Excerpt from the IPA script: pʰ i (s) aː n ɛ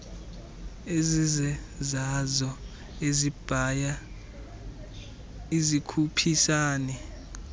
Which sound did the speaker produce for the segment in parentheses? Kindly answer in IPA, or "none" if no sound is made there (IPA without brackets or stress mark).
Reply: s